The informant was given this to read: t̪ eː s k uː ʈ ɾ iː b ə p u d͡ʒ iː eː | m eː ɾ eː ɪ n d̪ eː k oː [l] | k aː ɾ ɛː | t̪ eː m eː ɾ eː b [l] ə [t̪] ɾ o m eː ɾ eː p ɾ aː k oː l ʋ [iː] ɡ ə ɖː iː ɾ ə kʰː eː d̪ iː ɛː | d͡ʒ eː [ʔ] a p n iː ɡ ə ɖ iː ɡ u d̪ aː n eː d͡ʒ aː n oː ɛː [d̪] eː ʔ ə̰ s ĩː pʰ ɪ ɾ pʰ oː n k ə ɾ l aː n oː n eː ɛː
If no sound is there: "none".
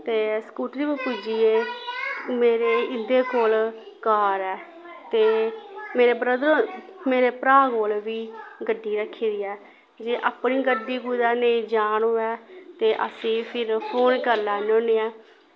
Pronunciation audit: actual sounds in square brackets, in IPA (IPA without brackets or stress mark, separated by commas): l, ɾ, d̪, iː, ʔ, t̪